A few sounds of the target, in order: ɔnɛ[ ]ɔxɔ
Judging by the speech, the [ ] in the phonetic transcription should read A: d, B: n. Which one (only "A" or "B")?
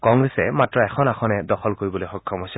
A